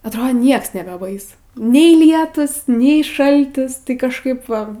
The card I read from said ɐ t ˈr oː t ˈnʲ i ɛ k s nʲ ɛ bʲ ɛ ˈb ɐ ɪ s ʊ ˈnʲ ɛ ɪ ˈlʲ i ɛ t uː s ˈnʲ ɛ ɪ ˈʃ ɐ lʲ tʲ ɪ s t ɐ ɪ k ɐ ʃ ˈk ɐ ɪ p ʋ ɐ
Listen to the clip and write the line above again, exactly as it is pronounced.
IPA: ɐ t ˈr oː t ˈnʲ i ɛ k s nʲ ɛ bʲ ɛ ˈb ɐ ɪ s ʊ ˈnʲ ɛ ɪ ˈlʲ i ɛ t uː s ˈnʲ ɛ ɪ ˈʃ ɐ lʲ tʲ ɪ s t ɐ ɪ k ɐ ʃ ˈk ɐ ɪ p ʋ ɐ